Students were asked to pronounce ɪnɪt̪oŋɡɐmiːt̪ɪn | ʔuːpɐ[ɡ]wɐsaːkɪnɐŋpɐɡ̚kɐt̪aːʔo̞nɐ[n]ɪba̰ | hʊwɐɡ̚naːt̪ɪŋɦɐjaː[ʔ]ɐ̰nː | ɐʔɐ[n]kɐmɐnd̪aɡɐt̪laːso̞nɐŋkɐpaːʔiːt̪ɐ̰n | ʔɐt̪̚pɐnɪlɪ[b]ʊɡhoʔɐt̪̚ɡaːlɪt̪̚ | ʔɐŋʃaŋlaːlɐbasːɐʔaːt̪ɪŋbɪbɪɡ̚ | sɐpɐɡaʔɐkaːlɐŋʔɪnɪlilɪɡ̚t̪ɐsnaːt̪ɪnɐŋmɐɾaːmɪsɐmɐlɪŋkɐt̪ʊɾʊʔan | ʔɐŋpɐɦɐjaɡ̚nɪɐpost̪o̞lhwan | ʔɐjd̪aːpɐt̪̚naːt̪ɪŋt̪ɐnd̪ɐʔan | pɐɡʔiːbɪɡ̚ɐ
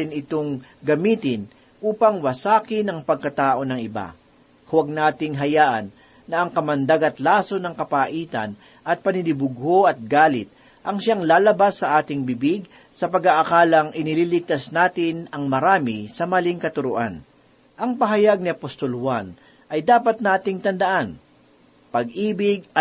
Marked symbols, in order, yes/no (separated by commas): no, no, yes, no, yes